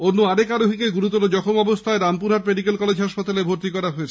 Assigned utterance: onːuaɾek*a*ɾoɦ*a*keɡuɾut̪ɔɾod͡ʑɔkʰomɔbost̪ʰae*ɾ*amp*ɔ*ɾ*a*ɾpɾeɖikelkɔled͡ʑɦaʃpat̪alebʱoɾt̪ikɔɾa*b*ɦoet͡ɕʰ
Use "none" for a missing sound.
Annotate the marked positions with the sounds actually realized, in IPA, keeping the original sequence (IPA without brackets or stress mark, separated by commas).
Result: a, i, ɾ, u, a, none